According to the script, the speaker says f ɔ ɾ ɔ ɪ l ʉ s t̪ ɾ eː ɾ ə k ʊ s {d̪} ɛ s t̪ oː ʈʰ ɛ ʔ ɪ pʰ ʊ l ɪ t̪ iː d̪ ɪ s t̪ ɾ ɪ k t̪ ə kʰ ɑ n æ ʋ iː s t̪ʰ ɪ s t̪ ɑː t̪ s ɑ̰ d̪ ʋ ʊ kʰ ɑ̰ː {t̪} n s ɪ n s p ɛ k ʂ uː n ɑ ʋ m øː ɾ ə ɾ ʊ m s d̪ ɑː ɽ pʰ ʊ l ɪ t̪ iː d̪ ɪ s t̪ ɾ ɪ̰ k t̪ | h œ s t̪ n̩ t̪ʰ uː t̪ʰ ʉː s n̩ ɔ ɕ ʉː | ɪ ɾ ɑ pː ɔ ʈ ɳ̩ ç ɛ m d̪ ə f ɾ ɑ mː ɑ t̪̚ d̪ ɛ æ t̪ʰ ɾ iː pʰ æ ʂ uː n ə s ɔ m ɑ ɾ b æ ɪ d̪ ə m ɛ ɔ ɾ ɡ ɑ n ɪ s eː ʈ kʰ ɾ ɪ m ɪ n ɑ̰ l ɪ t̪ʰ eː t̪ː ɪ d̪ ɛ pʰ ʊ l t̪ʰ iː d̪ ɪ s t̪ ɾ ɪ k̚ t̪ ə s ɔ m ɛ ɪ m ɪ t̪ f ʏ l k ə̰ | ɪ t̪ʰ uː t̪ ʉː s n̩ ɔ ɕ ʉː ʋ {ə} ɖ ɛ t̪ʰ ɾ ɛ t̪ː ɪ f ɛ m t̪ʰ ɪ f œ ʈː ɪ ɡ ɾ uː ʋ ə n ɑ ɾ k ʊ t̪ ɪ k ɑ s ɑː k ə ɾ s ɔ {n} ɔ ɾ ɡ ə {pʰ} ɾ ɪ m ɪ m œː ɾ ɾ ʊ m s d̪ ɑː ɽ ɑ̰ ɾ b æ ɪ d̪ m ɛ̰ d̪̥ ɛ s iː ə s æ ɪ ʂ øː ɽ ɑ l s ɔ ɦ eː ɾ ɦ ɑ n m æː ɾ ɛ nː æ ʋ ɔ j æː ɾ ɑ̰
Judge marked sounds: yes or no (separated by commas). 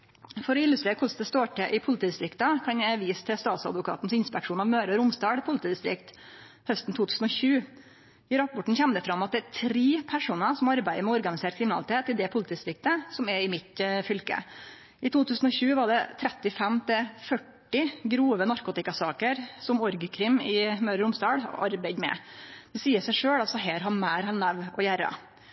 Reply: yes, yes, no, no, no